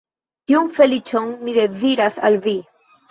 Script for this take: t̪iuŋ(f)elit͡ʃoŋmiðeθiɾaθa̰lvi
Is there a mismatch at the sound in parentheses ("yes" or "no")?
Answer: no